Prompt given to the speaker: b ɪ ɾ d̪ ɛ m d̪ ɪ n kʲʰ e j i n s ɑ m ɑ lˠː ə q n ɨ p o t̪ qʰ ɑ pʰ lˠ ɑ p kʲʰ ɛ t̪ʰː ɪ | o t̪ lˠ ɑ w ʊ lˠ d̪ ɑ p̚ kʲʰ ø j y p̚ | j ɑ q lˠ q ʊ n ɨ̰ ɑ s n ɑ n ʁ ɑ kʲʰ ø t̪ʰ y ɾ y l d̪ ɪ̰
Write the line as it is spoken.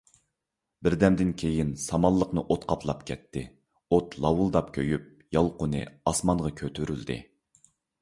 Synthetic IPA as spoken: b ɪ ɾ d̪ ɛ m d̪ ɪ n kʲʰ e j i n s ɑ m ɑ lˠː ə q n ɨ ʔ o t̪ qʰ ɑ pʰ lˠ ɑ p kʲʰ ɛ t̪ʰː ɪ | o t̪ lˠ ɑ w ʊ lˠ d̪ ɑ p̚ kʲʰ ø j y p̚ | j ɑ lˠ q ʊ n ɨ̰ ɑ s m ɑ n ʁ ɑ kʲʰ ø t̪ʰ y ɾ y l d̪ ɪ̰

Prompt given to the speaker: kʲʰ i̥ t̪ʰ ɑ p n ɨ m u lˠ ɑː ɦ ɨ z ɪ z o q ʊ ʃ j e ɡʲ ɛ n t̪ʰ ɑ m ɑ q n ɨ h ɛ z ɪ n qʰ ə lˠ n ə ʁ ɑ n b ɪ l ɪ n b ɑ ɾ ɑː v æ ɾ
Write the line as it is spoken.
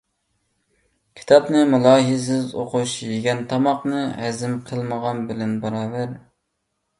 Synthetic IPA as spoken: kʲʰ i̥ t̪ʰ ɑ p n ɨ m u lˠ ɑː ɦ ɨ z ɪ z o q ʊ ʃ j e ɡʲ ɛ n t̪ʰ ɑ m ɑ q n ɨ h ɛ z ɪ m qʰ ə lˠ m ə ʁ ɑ n b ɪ l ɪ n b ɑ ɾ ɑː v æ ɾ

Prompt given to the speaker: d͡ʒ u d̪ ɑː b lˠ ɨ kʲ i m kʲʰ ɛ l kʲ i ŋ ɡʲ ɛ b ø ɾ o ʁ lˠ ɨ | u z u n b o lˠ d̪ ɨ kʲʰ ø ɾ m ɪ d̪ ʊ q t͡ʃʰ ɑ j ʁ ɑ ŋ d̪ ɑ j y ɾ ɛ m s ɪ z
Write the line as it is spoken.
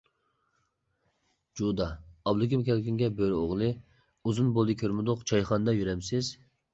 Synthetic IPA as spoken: d͡ʒ u d̪ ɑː b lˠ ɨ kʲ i m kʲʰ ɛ l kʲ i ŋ ɡʲ ɛ b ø ɾ o ʁ lˠ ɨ | u z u n b o lˠ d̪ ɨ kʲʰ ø ɾ m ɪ d̪ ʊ q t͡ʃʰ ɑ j χ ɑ n d̪ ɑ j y ɾ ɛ m s ɪ z

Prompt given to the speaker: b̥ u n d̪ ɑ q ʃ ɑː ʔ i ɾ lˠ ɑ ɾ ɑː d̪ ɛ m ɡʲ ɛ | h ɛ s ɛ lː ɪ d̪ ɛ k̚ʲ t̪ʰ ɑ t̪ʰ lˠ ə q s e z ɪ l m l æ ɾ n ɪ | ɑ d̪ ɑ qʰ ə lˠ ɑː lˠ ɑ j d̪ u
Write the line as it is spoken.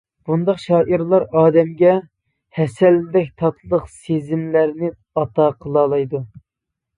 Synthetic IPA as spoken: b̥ u n d̪ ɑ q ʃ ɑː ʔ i ɾ lˠ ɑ ɾ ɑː d̪ ɛ m ɡʲ ɛ | h ɛ s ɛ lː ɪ d̪ ɛ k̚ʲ t̪ʰ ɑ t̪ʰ lˠ ə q s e z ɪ m l æ ɾ n ɪ | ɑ t̪ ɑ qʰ ə lˠ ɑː lˠ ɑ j d̪ u

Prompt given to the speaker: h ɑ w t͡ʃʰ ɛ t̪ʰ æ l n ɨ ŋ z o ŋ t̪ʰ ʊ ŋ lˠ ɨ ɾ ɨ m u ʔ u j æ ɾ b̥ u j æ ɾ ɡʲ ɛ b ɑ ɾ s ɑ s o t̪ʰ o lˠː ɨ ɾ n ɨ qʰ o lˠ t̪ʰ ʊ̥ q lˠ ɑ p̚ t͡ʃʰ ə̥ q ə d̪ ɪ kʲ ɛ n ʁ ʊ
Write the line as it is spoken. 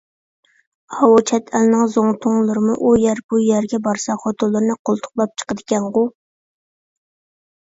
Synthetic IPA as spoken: h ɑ w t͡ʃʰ ɛ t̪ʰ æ l n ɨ ŋ z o ŋ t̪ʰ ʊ ŋ lˠ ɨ ɾ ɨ m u ʔ u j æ ɾ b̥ u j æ ɾ ɡʲ ɛ b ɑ ɾ s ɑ χ o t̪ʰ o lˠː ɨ ɾ n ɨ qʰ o lˠ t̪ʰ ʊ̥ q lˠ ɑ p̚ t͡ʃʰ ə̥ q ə d̪ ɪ kʲ ɛ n ʁ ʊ

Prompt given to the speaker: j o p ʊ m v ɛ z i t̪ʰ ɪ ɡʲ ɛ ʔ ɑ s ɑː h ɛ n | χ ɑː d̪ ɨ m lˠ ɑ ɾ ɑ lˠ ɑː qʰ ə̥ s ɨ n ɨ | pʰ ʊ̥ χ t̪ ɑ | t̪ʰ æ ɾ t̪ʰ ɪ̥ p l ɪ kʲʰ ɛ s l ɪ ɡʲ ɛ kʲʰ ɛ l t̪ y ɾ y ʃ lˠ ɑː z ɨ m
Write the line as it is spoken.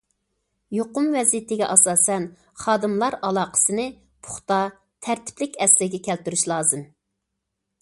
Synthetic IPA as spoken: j o q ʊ m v ɛ z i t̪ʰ ɪ ɡʲ ɛ ʔ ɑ s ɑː s ɛ n | χ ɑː d̪ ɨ m lˠ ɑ ɾ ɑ lˠ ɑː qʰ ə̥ s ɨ n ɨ | pʰ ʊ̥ χ t̪ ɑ | t̪ʰ æ ɾ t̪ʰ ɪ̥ p l ɪ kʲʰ ɛ s l ɪ ɡʲ ɛ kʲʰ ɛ l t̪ y ɾ y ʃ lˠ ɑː z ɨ m

